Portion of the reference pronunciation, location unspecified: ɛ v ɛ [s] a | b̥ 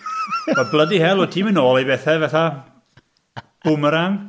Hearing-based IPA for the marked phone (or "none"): θ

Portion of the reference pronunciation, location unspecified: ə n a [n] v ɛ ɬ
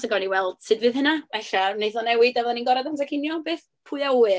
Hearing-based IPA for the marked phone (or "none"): none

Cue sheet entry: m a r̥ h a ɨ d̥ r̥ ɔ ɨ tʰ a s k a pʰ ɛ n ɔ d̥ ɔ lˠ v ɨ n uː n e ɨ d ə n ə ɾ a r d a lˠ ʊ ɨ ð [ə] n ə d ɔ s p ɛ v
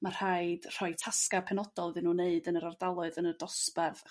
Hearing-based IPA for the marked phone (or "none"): ə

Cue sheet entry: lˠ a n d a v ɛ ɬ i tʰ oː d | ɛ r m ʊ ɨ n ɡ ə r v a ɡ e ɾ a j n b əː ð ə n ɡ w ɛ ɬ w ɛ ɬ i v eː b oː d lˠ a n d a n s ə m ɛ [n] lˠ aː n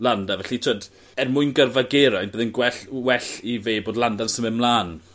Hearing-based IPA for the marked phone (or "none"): m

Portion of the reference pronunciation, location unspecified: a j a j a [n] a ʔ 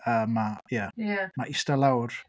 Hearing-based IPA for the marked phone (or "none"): m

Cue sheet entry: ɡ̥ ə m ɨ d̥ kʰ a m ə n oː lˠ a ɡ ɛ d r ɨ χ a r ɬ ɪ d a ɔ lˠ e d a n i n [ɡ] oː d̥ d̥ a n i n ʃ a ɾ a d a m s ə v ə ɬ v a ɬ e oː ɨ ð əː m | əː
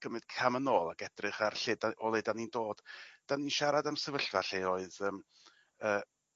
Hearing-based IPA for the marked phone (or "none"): d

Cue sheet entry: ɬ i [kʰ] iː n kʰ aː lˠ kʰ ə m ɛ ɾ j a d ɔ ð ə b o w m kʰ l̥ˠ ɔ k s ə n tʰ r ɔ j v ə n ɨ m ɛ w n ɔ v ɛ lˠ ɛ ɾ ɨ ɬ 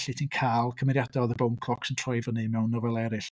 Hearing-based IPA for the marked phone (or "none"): tʰ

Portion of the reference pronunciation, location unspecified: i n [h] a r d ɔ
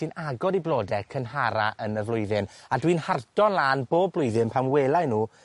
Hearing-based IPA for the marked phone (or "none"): h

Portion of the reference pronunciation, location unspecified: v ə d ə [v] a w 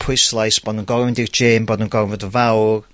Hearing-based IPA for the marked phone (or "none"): v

